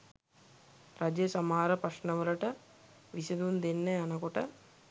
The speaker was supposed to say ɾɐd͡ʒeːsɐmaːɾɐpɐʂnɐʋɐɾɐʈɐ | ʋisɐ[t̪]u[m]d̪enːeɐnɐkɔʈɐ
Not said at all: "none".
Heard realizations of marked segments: d̪, n

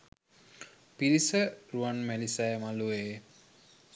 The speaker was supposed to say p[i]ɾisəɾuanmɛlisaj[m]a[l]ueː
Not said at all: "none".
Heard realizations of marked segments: i, m, l

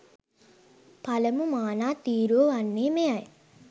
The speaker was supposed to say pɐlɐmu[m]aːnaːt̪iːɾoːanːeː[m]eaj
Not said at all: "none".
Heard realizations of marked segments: m, m

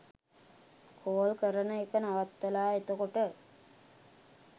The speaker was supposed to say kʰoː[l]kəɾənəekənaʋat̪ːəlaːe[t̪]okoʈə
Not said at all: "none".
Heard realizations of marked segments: l, t̪

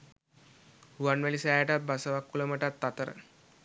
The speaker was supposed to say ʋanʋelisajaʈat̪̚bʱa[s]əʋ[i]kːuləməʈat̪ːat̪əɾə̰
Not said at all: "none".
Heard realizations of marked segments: s, a

